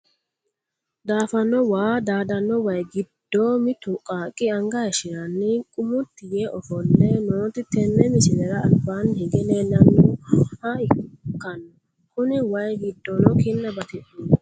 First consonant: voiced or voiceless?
voiced